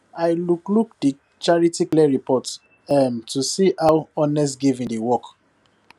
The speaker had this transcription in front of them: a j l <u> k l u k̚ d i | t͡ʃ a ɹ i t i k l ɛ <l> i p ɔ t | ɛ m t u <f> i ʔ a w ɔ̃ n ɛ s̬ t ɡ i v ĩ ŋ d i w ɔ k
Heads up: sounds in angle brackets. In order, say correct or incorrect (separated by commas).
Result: correct, incorrect, incorrect